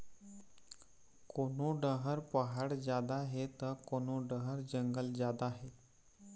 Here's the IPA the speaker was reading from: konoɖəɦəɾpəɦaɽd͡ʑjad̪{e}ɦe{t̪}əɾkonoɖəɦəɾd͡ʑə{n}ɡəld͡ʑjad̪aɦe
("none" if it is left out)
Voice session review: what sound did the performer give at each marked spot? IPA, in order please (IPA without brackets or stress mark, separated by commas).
a, t̪, ŋ